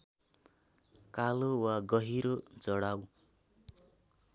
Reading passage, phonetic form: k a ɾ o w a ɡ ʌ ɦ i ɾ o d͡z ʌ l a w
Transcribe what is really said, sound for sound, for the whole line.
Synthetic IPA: k a l o w a ɡ ʌ ɦ i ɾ o d͡z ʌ ɽ a w